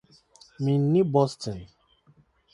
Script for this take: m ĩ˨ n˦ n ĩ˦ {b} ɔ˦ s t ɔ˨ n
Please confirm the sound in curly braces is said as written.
yes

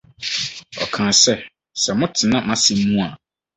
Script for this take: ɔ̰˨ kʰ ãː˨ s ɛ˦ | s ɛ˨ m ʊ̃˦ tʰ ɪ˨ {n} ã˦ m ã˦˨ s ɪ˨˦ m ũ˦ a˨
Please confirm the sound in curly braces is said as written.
yes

